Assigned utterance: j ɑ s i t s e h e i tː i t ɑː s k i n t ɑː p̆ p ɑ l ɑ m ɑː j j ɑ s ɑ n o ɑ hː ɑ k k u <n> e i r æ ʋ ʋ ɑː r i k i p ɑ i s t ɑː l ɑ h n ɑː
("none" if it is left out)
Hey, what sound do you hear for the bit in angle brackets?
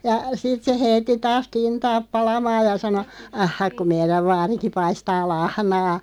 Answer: m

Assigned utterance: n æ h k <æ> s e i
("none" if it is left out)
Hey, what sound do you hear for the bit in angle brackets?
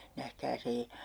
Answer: æː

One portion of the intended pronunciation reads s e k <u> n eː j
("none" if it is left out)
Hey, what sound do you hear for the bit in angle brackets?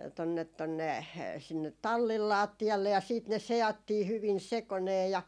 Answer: o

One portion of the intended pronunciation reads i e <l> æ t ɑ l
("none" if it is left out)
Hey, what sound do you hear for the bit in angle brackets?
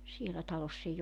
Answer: l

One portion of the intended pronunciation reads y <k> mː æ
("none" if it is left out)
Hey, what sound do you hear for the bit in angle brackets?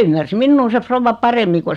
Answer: none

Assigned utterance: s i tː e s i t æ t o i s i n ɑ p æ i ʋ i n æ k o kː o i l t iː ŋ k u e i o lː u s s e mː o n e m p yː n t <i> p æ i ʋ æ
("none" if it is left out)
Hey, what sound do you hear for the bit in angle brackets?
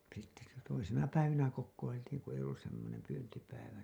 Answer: i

